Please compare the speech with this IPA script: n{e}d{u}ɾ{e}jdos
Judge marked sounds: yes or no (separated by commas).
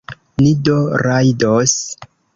no, no, no